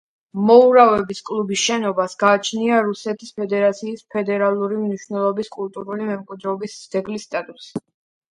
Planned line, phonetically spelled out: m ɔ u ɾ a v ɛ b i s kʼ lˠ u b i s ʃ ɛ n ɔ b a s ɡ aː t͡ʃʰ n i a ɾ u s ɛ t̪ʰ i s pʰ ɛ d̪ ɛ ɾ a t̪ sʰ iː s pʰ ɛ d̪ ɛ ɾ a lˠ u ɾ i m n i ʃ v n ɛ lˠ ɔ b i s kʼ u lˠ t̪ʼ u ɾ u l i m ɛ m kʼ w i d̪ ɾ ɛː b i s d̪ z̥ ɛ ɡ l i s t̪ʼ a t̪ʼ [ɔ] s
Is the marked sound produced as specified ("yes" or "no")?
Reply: no